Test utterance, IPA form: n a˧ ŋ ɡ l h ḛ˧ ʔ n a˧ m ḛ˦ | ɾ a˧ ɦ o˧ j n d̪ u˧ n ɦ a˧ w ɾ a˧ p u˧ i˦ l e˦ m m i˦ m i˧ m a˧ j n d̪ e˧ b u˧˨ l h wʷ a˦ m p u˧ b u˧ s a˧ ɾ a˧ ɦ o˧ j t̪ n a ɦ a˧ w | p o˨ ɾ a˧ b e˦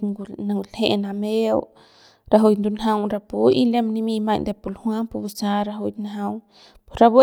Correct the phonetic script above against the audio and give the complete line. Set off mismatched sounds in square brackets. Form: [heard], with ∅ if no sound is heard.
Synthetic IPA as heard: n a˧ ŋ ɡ l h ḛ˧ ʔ n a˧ m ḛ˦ | ɾ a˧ ɦ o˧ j n d̪ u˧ n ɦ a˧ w ɾ a˧ p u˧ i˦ l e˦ m [n] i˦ m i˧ m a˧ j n d̪ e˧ [p] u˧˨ l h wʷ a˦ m p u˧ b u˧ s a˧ ɾ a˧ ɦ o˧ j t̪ n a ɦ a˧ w | p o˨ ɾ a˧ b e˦